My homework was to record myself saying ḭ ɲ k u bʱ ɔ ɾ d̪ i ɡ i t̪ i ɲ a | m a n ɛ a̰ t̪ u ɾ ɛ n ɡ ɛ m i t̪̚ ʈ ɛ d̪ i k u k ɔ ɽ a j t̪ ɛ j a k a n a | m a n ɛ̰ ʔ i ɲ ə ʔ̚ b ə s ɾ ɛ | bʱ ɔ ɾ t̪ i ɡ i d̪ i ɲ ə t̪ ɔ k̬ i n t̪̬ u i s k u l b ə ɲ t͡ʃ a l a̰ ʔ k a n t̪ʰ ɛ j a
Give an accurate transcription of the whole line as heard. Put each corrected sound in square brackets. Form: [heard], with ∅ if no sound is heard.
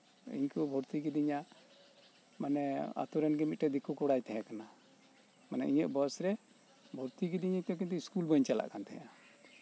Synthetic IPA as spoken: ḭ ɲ k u bʱ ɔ ɾ [t̪] i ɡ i [d̪] i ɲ a | m a n ɛ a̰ t̪ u ɾ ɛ n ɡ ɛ m i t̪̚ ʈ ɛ d̪ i k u k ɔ ɽ a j t̪ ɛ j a k a n a | m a n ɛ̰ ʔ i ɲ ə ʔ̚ b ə s ɾ ɛ | bʱ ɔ ɾ t̪ i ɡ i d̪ i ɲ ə t̪ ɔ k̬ i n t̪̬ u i s k u l b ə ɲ t͡ʃ a l a̰ ʔ k a n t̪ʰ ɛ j a

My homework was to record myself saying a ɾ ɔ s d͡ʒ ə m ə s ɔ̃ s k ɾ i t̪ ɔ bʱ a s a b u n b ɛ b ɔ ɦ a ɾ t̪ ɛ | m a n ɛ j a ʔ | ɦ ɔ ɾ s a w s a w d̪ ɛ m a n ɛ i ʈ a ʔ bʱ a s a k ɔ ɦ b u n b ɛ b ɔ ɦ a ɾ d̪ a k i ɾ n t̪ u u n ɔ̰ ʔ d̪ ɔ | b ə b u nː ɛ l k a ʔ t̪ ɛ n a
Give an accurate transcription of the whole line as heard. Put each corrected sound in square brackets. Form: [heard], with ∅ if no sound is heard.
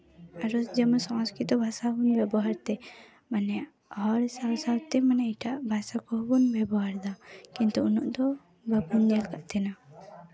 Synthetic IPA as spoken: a ɾ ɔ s d͡ʒ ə m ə s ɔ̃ s k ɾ i t̪ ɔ bʱ a s a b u n b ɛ b ɔ ɦ a ɾ t̪ ɛ | m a n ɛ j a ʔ | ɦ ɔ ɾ s a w s a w [t̪] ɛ m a n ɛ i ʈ a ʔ bʱ a s a k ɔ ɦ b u n b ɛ b ɔ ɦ a ɾ d̪ a k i [∅] n t̪ u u n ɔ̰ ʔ d̪ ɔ | b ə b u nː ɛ l k a ʔ t̪ ɛ n a

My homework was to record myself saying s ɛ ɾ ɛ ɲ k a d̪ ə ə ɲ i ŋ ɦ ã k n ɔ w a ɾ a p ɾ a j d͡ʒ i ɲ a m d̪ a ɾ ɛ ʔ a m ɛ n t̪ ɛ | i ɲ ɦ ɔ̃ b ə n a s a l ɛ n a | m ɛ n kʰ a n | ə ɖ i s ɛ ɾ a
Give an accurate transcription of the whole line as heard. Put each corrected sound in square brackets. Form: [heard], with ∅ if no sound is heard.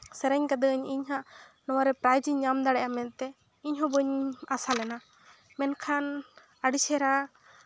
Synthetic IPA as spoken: s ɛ ɾ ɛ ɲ k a d̪ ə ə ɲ i [ɲ] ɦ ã [ʔ] n ɔ w a ɾ [ɛ] p ɾ a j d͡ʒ i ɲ a m d̪ a [ɽ] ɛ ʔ a m ɛ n t̪ ɛ | i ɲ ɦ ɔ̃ b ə [ɲ] a s a l ɛ n a | m ɛ n kʰ a n | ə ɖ i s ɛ ɾ a

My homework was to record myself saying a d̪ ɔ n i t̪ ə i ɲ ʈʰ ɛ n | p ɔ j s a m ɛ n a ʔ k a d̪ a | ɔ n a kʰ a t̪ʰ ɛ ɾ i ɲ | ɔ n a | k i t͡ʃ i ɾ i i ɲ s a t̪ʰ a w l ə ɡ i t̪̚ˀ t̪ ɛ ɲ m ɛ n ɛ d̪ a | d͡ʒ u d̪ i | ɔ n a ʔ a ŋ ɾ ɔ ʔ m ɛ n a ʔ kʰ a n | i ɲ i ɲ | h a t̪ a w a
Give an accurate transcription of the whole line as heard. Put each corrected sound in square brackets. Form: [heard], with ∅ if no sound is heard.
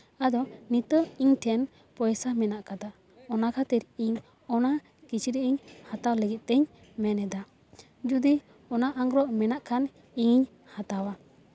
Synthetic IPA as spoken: a d̪ ɔ n i t̪ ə i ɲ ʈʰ ɛ n | p ɔ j s a m ɛ n a ʔ k a d̪ a | ɔ n a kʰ a [t̪] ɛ ɾ i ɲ | ɔ n a | k i t͡ʃ i ɾ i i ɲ [h] a [t̪] a w l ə ɡ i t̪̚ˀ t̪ ɛ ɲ m ɛ n ɛ d̪ a | d͡ʒ u d̪ i | ɔ n a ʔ a ŋ ɾ ɔ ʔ m ɛ n a ʔ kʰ a n | i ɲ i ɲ | h a t̪ a w a

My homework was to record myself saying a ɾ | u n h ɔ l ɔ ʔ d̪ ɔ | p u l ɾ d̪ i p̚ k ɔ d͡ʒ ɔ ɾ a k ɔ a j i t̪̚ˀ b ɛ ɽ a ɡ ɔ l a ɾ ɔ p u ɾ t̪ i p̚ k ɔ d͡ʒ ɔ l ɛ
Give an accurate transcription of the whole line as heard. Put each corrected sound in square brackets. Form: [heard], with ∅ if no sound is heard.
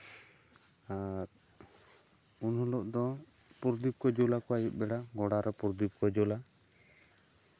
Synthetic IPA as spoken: a ɾ | u n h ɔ l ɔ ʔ d̪ ɔ | p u [∅] ɾ d̪ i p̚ k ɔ d͡ʒ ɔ [l] a k ɔ a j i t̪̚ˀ b ɛ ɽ a ɡ ɔ [ɽ] a ɾ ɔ p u ɾ [d̪] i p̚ k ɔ d͡ʒ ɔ l [a]

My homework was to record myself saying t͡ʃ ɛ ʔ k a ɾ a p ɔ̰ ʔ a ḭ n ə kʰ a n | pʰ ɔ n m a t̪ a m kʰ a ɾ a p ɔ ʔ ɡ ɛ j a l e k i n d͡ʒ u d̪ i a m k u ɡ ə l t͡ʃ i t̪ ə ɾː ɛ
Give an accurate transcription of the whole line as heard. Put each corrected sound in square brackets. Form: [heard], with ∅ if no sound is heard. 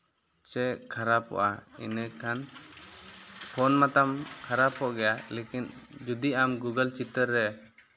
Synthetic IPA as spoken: t͡ʃ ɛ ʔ [kʰ] a ɾ a p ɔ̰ ʔ a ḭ n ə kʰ a n | pʰ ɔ n m a t̪ a m kʰ a ɾ a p ɔ ʔ ɡ ɛ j a l e k i n d͡ʒ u d̪ i a m [ɡ] u ɡ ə l t͡ʃ i t̪ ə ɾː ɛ

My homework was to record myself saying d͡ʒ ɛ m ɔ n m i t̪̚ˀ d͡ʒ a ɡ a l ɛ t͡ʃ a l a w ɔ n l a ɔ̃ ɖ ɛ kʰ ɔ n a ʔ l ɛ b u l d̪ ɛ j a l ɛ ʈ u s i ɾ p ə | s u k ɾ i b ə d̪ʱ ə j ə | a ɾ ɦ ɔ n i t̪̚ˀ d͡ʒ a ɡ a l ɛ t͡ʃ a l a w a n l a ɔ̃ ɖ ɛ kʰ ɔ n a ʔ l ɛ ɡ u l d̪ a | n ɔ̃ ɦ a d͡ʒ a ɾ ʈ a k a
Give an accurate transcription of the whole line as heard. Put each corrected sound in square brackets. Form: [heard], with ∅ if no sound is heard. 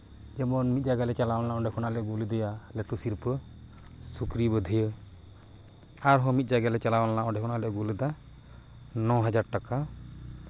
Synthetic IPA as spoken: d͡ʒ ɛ m ɔ n m i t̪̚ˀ d͡ʒ a ɡ a l ɛ t͡ʃ a l a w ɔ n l a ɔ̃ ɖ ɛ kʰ ɔ n a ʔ l ɛ [ɡ] u l d̪ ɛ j a l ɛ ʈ u s i ɾ p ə | s u k ɾ i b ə d̪ʱ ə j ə | a ɾ ɦ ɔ [m] i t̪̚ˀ d͡ʒ a ɡ a l ɛ t͡ʃ a l a w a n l a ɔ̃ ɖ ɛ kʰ ɔ n a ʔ l ɛ ɡ u l d̪ a | n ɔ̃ ɦ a d͡ʒ a ɾ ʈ a k a

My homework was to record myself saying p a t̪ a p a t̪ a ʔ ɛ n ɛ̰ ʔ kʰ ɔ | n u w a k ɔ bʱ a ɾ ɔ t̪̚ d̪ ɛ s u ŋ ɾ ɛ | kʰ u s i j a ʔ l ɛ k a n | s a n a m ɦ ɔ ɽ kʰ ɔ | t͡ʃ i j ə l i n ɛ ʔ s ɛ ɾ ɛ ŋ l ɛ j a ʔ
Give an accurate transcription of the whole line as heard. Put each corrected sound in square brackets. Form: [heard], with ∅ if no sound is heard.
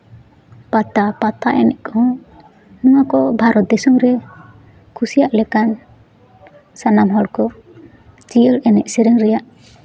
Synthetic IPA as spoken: p a t̪ a p a t̪ a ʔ ɛ n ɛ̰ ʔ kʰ ɔ | n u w a k ɔ bʱ a ɾ ɔ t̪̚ d̪ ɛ s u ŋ ɾ ɛ | kʰ u s i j a ʔ l ɛ k a n | s a n a m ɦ ɔ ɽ [k] ɔ | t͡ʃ i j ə l [ɛ] n ɛ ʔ s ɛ ɾ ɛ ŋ [ɾ] ɛ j a ʔ

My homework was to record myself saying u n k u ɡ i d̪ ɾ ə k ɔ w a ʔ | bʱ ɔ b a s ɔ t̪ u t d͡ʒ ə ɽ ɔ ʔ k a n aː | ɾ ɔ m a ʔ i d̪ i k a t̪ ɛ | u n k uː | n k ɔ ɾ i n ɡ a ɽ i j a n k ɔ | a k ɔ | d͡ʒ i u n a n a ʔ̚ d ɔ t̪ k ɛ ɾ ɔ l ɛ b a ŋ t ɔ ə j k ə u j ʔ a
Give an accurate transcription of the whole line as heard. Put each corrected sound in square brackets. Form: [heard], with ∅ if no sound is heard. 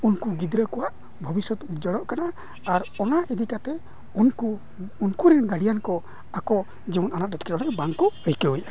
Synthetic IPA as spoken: u n k u ɡ i d̪ ɾ ə k ɔ w a ʔ | bʱ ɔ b [i] s ɔ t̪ u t d͡ʒ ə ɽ ɔ ʔ k a n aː | ɾ ɔ [n] a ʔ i d̪ i k a t̪ ɛ | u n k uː | n k [u] ɾ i n ɡ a ɽ i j a n k ɔ | a k ɔ | d͡ʒ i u n a n a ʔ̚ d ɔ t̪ k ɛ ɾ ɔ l ɛ b a ŋ [k] ɔ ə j k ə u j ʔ a

